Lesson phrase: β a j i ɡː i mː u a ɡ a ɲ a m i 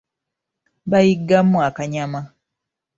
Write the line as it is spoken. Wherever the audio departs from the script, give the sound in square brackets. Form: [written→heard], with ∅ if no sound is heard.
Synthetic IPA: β a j i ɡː [i→a] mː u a [ɡ→k] a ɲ a m [i→a]